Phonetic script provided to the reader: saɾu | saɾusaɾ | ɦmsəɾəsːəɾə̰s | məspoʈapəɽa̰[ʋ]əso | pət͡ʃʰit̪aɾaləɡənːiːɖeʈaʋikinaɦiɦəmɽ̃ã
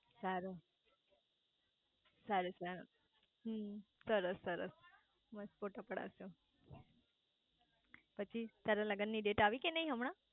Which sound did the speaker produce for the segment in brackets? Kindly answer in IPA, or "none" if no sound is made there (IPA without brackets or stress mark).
none